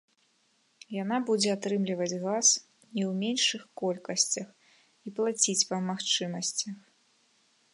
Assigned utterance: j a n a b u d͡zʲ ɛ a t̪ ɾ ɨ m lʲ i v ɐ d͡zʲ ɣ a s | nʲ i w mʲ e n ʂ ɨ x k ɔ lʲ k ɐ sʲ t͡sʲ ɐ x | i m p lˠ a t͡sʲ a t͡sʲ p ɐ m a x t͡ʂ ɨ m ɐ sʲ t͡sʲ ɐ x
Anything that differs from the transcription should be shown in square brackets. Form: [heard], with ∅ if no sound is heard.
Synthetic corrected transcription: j a n a b u d͡zʲ ɛ a t̪ ɾ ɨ m lʲ i v ɐ d͡zʲ ɣ a s | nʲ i w mʲ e n ʂ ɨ x k ɔ lʲ k ɐ sʲ t͡sʲ ɐ x | i [∅] p lˠ a t͡sʲ [i] t͡sʲ p ɐ m a x t͡ʂ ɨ m ɐ sʲ t͡sʲ ɐ x

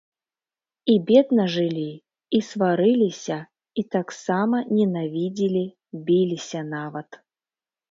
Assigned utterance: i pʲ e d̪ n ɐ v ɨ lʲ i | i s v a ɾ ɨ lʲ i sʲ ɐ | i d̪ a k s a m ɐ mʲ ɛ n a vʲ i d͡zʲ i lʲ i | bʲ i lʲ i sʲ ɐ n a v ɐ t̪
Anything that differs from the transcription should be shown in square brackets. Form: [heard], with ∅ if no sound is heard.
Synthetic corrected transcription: i [bʲ] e d̪ n ɐ [ʐ] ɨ lʲ i | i s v a ɾ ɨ lʲ i sʲ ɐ | i [t̪] a k s a m ɐ [nʲ] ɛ n a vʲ i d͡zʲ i lʲ i | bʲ i lʲ i sʲ ɐ n a v ɐ t̪

